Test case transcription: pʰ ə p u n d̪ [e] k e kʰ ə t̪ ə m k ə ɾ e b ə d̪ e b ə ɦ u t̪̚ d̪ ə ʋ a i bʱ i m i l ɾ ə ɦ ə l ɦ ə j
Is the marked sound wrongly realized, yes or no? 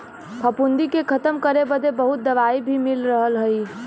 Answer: yes